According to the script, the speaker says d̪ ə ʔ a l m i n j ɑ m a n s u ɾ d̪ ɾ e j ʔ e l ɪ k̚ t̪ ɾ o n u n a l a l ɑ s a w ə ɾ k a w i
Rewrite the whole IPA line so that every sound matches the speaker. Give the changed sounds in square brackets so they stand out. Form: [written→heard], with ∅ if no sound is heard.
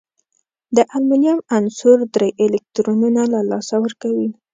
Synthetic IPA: d̪ ə ʔ a l m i n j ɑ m a n s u ɾ d̪ ɾ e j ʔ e l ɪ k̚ t̪ ɾ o n u n a l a l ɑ s a w ə ɾ k a w i